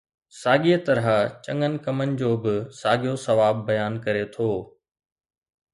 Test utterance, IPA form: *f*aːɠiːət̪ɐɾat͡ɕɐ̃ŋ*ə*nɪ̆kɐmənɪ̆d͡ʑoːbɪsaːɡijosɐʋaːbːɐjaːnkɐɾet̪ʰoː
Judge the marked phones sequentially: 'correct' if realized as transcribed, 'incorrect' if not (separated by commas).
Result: incorrect, correct